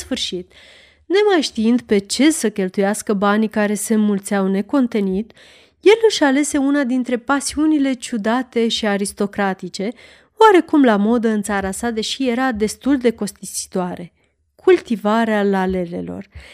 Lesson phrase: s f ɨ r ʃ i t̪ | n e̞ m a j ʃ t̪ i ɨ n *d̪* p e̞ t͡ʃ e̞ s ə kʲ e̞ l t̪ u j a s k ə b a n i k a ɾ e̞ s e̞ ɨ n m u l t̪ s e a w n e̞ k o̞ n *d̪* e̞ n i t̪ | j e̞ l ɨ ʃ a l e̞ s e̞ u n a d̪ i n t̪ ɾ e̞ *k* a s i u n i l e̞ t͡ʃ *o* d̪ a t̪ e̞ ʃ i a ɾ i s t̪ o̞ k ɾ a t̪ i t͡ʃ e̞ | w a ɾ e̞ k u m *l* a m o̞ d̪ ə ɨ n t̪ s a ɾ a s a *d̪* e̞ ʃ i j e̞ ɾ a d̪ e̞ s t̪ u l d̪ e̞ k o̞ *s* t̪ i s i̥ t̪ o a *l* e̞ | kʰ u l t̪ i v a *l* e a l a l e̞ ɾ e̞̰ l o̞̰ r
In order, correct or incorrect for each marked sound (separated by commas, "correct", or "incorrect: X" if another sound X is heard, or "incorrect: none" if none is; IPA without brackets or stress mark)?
correct, incorrect: t̪, incorrect: p, incorrect: u, correct, correct, correct, incorrect: ɾ, incorrect: ɾ